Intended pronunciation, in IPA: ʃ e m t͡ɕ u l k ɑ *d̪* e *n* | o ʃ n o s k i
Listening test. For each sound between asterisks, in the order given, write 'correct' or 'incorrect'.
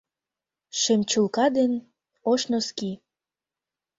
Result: correct, correct

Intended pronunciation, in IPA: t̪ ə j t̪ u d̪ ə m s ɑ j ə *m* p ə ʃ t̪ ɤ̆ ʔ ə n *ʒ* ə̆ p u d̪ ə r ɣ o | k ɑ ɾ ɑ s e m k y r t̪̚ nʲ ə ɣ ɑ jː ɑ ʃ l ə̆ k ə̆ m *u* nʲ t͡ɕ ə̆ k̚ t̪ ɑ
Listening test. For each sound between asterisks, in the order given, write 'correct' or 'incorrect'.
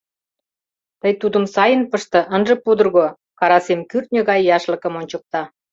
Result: incorrect: n, correct, incorrect: o

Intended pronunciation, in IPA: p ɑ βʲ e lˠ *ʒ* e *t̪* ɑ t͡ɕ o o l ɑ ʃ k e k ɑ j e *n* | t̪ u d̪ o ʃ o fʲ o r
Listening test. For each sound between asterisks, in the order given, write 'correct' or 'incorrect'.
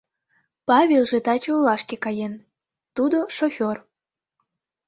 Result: correct, correct, correct

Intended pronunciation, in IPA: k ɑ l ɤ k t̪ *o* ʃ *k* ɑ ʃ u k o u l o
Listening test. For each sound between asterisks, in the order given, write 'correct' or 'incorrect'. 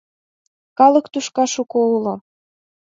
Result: incorrect: u, correct

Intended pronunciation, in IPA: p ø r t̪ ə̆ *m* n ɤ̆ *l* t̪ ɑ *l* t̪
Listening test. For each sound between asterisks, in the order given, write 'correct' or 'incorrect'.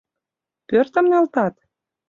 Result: correct, correct, incorrect: none

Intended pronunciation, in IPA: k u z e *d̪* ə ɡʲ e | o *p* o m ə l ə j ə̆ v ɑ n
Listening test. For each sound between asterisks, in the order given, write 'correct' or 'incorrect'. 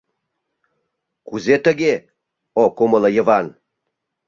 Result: incorrect: t̪, incorrect: k

